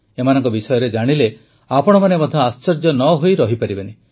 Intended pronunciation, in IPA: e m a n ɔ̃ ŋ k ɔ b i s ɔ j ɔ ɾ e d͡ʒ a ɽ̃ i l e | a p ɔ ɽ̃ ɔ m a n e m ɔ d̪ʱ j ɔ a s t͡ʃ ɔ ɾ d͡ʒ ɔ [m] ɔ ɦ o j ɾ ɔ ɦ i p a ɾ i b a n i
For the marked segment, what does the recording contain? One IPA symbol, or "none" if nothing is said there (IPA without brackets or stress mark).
n